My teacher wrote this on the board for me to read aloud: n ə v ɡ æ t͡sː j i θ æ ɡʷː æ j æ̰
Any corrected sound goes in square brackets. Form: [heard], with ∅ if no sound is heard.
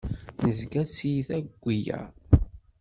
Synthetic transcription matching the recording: n ə [z] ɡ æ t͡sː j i θ æ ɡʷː [i] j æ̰